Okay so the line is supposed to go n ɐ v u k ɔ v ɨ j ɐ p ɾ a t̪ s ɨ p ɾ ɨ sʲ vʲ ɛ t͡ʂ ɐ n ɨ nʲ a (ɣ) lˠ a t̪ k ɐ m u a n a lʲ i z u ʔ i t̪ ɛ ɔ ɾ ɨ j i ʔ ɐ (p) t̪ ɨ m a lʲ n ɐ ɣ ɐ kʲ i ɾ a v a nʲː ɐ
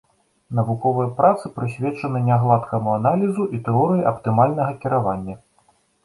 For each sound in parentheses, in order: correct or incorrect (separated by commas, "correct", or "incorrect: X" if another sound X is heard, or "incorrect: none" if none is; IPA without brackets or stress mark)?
correct, correct